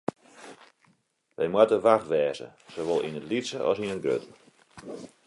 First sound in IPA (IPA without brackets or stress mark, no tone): ʋ